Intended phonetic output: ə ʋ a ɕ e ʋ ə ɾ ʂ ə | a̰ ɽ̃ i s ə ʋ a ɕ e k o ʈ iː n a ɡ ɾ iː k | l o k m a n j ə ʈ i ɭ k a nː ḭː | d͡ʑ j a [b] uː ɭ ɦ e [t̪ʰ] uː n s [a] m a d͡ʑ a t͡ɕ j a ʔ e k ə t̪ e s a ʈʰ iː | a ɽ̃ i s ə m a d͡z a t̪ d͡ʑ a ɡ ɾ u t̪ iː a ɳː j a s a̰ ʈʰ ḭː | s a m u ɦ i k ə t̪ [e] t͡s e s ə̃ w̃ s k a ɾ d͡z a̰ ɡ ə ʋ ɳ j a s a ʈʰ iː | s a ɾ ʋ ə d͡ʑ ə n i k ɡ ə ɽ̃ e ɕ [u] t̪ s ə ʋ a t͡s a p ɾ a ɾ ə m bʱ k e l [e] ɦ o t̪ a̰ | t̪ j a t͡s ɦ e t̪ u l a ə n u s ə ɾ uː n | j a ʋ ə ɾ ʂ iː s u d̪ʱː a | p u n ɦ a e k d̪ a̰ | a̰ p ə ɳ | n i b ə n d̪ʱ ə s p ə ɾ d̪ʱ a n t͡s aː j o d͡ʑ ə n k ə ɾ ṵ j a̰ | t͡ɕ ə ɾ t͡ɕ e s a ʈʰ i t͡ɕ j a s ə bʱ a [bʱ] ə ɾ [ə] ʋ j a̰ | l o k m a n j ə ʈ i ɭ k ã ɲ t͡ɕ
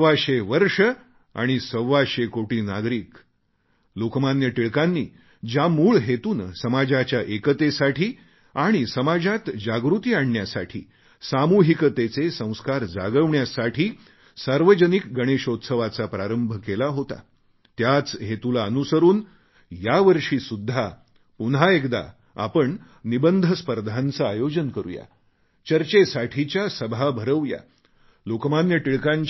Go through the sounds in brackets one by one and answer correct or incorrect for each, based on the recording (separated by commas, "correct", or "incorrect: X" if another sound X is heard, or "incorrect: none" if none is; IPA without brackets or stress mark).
incorrect: m, incorrect: t̪, incorrect: ə, correct, incorrect: o, incorrect: a, correct, correct